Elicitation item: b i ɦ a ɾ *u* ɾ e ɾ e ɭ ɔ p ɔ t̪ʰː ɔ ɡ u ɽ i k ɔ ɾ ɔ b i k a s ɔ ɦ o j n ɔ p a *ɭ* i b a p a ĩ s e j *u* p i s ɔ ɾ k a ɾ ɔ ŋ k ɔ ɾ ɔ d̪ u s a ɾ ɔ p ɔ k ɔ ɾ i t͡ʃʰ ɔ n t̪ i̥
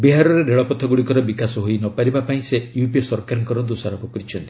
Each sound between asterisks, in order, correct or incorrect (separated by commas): incorrect, incorrect, correct